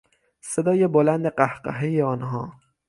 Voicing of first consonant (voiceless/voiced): voiceless